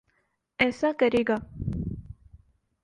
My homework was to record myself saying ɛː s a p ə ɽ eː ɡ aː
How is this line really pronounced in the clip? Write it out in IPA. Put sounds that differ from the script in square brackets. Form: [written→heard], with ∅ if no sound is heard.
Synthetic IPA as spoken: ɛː s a [p→k] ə [ɽ→ɾ] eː ɡ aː